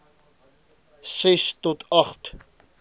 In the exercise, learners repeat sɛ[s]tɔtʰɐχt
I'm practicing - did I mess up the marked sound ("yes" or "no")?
no